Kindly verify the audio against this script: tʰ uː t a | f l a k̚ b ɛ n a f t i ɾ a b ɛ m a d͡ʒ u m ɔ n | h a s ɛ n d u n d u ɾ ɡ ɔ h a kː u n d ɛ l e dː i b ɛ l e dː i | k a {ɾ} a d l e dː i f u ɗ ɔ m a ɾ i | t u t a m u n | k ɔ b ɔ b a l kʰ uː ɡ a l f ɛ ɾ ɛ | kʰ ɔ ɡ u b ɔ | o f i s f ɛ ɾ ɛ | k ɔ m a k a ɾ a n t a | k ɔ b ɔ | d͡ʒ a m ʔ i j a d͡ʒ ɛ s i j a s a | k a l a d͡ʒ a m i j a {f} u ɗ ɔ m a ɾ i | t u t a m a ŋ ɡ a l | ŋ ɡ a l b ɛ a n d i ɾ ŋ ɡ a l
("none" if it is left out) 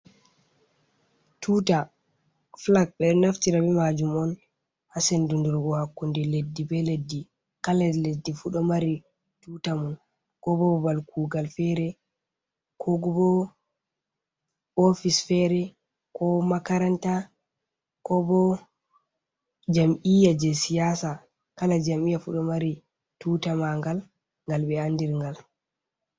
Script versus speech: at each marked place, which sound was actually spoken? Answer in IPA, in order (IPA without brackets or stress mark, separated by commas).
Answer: l, f